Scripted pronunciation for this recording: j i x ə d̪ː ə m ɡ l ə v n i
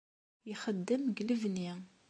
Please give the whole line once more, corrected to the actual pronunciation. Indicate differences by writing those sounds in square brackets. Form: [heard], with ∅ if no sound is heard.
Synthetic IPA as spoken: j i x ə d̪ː ə m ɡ l ə v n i